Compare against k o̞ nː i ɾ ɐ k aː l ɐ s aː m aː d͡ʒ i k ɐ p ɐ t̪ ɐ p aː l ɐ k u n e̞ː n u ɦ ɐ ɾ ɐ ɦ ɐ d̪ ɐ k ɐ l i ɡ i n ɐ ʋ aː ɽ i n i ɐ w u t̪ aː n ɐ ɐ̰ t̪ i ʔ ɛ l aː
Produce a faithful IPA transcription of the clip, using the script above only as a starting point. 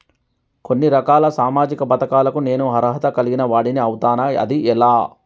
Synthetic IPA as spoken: k o̞ nː i ɾ ɐ k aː l ɐ s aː m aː d͡ʒ i k ɐ p ɐ t̪ ɐ k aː l ɐ k u n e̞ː n u ɦ ɐ ɾ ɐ ɦ ɐ t̪ ɐ k ɐ l i ɡ i n ɐ ʋ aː ɽ i n i ɐ w u t̪ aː n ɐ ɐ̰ d̪ i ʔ ɛ l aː